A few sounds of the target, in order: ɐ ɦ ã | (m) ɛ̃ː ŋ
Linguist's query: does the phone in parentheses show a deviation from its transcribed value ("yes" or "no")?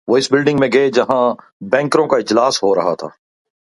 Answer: yes